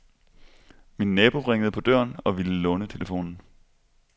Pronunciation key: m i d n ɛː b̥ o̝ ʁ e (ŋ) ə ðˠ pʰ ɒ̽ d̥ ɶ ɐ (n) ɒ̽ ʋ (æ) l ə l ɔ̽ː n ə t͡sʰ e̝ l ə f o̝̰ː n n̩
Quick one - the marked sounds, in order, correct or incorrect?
correct, correct, incorrect: i

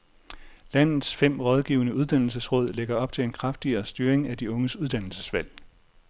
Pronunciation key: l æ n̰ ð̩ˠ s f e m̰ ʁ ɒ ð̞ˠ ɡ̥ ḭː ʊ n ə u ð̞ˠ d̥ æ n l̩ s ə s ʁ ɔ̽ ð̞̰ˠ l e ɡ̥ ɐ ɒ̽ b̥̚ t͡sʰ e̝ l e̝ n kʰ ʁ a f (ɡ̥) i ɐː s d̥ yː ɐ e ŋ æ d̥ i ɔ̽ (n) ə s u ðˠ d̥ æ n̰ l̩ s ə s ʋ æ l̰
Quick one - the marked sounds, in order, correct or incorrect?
incorrect: d̥, incorrect: ŋ

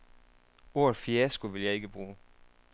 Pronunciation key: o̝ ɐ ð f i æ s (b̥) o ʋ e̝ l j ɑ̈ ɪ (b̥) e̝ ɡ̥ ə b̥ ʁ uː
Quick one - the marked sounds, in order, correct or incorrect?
incorrect: ɡ̥, incorrect: none

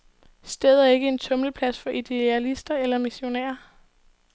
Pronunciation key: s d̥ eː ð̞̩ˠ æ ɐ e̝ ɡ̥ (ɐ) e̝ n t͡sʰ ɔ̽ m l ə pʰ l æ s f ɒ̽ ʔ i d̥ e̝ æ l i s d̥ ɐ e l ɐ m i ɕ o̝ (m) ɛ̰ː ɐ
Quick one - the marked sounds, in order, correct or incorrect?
incorrect: ə, incorrect: n

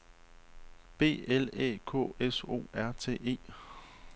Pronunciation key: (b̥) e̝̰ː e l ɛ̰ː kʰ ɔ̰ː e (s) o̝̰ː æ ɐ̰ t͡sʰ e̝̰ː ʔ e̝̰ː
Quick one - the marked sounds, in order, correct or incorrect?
correct, correct

